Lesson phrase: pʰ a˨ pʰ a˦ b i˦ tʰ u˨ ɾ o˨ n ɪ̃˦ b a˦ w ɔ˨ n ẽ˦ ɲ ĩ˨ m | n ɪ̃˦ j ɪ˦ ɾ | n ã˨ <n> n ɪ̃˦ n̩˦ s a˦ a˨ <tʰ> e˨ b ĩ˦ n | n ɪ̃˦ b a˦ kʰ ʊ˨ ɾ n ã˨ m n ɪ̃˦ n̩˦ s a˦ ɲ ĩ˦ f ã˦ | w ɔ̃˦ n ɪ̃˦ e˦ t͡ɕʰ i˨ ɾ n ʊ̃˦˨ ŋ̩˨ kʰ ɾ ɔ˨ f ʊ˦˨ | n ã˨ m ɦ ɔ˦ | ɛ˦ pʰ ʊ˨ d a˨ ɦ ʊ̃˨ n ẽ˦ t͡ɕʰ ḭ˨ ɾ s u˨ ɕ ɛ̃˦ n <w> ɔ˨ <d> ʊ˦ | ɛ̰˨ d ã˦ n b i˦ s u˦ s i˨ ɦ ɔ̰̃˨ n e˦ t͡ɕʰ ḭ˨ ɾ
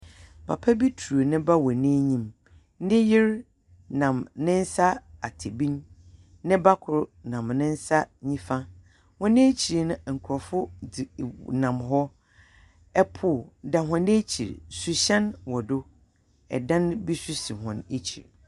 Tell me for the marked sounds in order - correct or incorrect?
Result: incorrect: m, correct, correct, correct

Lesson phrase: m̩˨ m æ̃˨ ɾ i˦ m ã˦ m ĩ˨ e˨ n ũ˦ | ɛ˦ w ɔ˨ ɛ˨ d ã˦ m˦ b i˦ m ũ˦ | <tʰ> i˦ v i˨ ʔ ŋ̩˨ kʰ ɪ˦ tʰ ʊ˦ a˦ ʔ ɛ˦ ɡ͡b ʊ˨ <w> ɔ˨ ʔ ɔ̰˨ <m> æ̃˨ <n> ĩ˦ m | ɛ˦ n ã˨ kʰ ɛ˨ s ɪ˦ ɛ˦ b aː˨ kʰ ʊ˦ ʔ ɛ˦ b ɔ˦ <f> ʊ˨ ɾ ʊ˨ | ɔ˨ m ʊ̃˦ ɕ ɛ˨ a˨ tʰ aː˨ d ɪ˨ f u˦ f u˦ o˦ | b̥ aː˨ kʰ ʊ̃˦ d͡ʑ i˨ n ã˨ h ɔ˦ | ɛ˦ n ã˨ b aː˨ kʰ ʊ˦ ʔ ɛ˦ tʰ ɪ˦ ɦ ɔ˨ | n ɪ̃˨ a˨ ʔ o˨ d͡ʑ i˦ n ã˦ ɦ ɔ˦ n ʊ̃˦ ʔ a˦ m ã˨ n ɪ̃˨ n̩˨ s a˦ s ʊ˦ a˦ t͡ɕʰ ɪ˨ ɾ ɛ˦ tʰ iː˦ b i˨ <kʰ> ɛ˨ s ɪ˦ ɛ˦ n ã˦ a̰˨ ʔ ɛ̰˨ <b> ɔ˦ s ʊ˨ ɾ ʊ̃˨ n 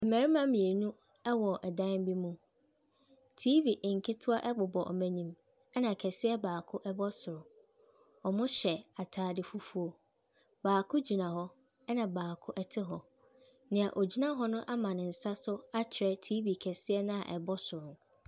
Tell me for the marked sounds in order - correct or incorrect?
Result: correct, incorrect: b, correct, incorrect: ɲ, incorrect: s, correct, correct

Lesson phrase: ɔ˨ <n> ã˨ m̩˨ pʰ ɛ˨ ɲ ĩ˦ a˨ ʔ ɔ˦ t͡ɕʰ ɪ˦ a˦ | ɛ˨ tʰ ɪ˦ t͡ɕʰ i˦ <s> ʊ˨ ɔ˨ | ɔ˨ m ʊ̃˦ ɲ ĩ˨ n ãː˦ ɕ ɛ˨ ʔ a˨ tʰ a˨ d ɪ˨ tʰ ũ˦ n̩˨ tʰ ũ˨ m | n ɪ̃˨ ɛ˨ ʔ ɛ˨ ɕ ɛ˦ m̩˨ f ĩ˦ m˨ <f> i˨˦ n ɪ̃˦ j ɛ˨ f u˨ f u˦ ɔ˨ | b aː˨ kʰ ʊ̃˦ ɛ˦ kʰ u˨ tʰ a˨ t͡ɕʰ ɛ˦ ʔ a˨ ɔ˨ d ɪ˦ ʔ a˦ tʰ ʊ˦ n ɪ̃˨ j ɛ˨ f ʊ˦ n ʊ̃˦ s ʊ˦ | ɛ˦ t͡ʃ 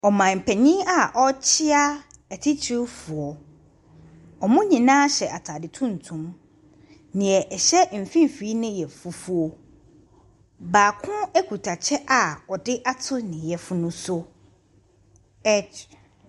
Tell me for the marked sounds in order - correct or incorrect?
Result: incorrect: m, incorrect: f, correct

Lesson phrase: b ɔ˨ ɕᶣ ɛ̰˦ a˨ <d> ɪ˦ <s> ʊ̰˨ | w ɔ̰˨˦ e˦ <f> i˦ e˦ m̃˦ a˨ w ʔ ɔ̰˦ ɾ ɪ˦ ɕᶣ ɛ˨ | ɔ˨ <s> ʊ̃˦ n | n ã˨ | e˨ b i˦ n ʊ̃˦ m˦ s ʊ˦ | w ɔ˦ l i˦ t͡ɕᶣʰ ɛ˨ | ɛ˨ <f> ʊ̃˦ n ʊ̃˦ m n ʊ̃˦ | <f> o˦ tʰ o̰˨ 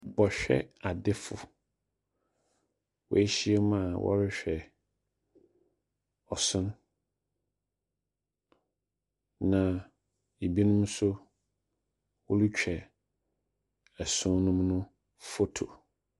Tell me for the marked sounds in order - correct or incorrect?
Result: correct, incorrect: f, incorrect: ɕ, correct, incorrect: s, correct

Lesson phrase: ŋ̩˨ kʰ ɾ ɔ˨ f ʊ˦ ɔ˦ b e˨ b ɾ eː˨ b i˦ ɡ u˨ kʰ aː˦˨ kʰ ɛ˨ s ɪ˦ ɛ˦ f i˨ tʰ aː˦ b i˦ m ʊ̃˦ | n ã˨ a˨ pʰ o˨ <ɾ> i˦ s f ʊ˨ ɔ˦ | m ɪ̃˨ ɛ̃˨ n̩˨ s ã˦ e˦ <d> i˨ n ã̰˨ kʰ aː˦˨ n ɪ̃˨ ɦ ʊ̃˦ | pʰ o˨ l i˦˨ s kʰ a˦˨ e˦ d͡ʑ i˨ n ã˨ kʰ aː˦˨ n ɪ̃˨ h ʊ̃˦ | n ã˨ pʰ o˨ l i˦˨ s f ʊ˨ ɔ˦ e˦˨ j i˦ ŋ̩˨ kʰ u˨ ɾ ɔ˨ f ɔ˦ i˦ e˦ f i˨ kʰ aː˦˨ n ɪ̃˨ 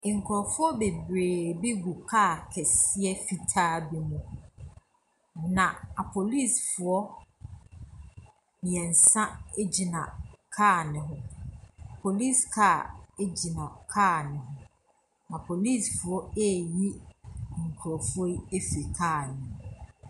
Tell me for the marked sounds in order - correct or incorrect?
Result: incorrect: l, incorrect: d͡ʑ

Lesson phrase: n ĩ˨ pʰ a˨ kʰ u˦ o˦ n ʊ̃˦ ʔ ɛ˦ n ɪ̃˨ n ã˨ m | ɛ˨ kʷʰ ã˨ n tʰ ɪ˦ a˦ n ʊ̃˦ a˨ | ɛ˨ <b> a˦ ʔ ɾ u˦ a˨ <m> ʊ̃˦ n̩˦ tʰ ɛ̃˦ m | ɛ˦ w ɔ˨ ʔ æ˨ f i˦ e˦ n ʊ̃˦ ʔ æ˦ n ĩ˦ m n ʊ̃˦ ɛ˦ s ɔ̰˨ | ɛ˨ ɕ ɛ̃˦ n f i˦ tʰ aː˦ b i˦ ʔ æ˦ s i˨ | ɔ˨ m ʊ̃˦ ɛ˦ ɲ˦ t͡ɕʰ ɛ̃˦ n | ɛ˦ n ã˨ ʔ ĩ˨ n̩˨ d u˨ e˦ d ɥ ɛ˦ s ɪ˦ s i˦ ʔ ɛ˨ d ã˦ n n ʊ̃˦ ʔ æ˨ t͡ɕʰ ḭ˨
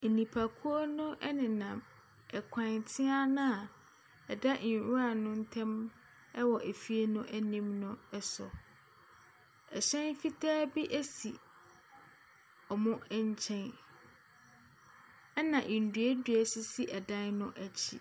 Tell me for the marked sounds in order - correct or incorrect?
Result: incorrect: d, incorrect: n

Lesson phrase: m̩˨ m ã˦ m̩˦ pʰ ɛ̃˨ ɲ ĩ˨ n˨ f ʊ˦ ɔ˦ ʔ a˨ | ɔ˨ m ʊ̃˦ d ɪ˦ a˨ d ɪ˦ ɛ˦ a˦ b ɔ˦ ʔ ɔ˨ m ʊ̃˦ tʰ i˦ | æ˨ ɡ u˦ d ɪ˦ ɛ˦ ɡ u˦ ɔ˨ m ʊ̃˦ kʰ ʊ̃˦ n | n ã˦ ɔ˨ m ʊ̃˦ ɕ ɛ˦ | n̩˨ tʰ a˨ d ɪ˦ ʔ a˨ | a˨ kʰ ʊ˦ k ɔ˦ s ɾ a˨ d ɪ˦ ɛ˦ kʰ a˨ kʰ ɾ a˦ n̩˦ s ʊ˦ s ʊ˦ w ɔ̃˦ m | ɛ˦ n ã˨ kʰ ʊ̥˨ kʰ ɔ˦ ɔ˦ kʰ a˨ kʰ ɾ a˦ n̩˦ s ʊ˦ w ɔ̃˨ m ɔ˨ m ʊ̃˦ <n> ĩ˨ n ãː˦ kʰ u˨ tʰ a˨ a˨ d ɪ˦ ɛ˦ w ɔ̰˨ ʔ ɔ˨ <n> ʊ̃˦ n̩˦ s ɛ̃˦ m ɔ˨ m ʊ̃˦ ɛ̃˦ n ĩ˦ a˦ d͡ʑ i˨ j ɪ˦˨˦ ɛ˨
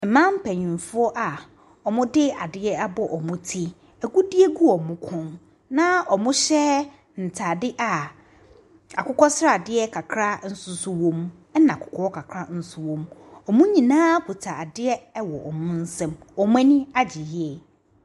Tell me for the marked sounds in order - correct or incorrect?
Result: incorrect: ɲ, incorrect: m

